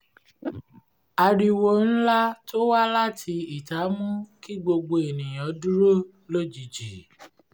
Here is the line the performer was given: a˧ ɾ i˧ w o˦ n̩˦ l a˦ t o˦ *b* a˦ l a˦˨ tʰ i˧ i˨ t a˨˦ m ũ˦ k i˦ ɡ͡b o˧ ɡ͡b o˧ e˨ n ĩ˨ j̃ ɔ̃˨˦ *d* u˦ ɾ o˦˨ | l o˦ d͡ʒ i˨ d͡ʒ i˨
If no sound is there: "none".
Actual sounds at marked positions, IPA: w, d

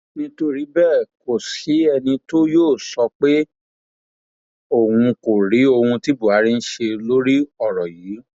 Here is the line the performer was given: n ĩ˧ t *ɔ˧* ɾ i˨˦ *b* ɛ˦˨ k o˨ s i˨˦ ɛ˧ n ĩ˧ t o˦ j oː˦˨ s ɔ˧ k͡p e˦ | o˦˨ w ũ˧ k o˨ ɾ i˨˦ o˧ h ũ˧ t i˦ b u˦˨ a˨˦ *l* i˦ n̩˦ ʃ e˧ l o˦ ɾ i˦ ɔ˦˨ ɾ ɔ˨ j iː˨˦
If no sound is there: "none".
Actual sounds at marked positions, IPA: o˧, b, ɾ

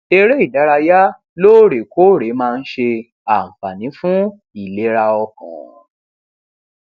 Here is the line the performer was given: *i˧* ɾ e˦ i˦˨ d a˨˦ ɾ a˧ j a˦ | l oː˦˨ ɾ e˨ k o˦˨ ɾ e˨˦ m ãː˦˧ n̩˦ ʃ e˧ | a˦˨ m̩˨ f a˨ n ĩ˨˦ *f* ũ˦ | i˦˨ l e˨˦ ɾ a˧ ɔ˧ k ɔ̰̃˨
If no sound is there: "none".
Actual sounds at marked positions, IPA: e˧, f

